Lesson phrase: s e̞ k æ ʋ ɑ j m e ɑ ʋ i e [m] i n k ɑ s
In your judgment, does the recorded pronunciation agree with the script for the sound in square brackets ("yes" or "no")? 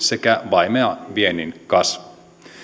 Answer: no